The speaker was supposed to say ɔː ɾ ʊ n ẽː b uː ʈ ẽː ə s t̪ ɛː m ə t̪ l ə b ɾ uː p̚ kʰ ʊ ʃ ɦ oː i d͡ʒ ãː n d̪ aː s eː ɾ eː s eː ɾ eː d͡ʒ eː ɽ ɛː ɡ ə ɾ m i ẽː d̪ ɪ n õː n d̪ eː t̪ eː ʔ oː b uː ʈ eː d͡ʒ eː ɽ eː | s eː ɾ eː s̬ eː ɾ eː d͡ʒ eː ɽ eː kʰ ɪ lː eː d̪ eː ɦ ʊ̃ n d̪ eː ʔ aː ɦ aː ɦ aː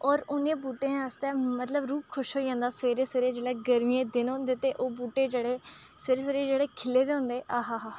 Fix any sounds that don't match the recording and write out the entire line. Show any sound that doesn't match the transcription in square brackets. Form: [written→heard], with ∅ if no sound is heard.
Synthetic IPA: ɔː ɾ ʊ n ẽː b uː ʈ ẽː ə s t̪ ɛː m ə t̪ l ə b ɾ uː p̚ kʰ ʊ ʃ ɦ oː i d͡ʒ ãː n d̪ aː s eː ɾ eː s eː ɾ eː d͡ʒ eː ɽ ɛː ɡ ə ɾ m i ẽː d̪ ɪ n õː n d̪ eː t̪ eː ʔ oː b uː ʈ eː d͡ʒ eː ɽ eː | s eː ɾ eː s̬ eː ɾ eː d͡ʒ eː ɽ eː kʰ ɪ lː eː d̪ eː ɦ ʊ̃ n d̪ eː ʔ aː ɦ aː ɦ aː